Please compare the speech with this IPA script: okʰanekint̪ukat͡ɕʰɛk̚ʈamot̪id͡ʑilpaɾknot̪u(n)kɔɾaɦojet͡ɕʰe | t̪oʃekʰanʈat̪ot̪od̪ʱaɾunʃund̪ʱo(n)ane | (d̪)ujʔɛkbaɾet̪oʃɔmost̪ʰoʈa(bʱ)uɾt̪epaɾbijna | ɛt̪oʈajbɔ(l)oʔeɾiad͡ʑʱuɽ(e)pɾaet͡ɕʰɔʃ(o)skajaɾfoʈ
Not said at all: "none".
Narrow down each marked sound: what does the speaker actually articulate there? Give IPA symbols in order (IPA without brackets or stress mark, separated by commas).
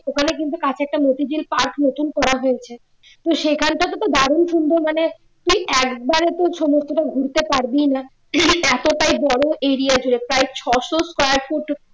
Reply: n, m, t̪, ɡʱ, ɽ, e, o